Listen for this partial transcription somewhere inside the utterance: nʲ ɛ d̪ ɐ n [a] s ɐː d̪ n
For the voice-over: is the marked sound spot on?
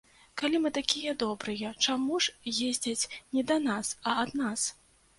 yes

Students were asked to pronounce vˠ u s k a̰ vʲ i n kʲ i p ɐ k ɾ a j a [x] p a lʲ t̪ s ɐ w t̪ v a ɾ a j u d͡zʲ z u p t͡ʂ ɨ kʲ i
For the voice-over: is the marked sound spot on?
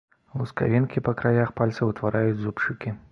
yes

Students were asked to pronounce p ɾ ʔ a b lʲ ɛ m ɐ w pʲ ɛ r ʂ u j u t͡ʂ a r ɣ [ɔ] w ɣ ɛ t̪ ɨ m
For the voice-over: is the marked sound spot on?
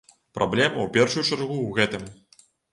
no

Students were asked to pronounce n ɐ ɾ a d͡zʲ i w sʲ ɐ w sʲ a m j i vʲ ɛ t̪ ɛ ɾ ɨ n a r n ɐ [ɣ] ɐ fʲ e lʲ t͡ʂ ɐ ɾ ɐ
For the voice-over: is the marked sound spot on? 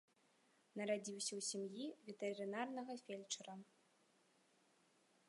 yes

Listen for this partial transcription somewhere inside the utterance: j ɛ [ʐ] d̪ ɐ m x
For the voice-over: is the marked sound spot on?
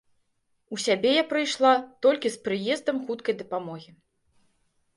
no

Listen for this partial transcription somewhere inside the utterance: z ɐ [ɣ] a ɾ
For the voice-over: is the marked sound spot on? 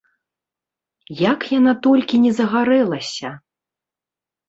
yes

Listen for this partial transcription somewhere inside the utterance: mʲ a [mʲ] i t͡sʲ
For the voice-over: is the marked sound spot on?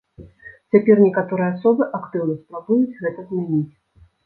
no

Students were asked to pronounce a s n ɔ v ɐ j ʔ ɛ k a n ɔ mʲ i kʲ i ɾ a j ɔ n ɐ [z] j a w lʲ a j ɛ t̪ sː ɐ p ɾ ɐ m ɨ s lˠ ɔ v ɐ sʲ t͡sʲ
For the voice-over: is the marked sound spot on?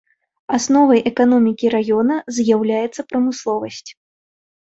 yes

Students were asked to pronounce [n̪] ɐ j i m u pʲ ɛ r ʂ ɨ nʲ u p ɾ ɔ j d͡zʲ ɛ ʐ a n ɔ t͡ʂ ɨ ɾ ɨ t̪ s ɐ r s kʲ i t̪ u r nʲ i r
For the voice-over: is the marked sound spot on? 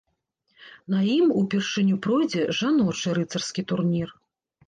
yes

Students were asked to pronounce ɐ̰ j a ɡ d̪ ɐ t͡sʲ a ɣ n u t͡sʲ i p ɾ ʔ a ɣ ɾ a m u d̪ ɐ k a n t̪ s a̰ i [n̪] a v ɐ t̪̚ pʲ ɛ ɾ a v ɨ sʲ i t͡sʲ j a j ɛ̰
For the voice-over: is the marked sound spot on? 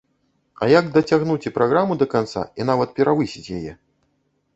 yes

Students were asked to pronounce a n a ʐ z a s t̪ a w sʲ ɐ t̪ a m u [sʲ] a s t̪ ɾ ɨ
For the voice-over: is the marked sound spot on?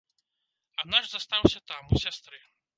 yes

